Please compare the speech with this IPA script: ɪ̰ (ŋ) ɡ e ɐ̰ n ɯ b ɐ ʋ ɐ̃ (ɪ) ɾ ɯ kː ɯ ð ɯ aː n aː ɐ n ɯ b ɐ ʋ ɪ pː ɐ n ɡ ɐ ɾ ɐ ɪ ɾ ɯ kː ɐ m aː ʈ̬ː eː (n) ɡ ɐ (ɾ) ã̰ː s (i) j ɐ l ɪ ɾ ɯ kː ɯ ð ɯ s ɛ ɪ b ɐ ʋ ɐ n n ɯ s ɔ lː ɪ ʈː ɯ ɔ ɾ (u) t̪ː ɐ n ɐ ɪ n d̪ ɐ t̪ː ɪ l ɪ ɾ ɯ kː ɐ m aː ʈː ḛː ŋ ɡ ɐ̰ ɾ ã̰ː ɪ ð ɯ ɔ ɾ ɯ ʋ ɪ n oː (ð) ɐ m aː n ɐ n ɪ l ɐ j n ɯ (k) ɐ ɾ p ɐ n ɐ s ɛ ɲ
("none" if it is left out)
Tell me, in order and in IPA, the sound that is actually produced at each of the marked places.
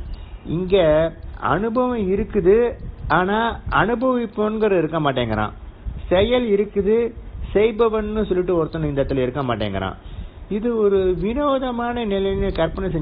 ŋ, ɪ, ŋ, ɾ, ɛ, ɯ, ð, k

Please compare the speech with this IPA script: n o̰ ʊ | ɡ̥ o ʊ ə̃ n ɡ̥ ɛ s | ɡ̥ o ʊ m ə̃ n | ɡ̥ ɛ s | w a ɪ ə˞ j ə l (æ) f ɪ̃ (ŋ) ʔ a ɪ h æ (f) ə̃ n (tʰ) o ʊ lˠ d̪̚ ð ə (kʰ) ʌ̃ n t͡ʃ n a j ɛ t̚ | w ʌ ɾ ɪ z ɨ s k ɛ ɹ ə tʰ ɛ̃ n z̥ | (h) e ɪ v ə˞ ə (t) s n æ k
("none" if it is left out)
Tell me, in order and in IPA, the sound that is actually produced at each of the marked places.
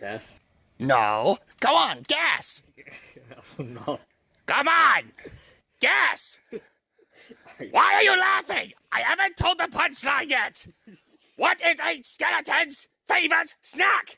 æ, ŋ, v, tʰ, pʰ, f, t

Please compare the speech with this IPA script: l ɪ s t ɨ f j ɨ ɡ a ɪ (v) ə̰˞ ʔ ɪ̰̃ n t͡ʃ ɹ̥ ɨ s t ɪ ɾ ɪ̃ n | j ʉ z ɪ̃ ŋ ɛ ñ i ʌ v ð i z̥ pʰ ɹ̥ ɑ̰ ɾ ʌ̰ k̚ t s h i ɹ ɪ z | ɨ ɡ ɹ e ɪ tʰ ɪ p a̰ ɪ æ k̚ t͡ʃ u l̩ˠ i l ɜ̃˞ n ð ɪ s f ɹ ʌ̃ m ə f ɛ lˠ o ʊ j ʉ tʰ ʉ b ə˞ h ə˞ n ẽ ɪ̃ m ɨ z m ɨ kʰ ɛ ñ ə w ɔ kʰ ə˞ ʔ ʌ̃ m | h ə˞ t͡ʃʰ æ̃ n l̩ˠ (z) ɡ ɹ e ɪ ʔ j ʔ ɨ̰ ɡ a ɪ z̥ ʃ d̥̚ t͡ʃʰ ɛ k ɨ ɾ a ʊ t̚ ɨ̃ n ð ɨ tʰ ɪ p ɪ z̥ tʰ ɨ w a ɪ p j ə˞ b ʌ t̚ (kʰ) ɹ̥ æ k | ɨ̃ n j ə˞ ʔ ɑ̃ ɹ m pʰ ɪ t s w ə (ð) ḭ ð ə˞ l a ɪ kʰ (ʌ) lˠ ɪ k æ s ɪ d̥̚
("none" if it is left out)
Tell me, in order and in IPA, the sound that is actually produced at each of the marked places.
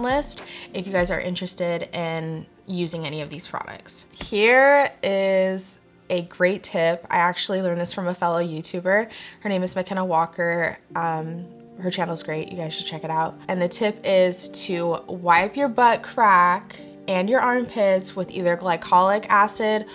z, z, kʰ, ð, ɑ

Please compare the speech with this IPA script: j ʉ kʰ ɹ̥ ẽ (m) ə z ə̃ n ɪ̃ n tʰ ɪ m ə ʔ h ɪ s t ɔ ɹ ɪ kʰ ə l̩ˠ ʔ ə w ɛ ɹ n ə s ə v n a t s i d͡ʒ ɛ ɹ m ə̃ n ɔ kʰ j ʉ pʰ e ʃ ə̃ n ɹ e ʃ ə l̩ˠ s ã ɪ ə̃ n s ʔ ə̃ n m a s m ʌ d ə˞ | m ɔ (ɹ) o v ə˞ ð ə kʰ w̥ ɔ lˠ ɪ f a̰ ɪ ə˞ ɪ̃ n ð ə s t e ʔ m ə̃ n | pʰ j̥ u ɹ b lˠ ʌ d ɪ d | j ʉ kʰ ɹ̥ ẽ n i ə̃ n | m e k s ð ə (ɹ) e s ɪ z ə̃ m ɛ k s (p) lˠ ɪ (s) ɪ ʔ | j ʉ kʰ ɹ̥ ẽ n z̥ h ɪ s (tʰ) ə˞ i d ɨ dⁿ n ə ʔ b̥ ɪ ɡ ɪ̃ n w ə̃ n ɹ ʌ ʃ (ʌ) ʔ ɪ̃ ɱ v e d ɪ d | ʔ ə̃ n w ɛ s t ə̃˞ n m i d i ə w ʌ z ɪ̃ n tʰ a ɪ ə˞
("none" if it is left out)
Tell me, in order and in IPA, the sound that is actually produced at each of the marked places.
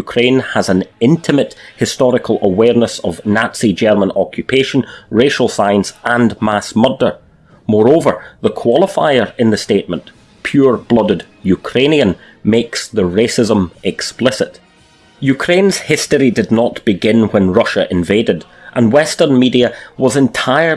n, ɹ, ɹ, p, s, t, ə

